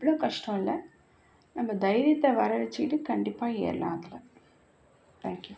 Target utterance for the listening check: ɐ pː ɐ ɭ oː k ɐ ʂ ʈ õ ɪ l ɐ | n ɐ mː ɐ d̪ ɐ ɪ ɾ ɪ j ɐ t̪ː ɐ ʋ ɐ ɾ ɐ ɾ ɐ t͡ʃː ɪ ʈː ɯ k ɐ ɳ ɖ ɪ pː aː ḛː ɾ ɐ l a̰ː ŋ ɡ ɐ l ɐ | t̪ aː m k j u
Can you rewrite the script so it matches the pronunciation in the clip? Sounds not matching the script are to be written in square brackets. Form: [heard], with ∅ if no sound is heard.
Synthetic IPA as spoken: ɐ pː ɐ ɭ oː k ɐ ʂ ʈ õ ɪ l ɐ | n ɐ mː ɐ d̪ ɐ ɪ ɾ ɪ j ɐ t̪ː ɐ ʋ ɐ ɾ ɐ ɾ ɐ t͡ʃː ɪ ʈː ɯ k ɐ ɳ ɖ ɪ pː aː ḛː ɾ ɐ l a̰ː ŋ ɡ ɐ l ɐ | t̪ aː [ŋ] k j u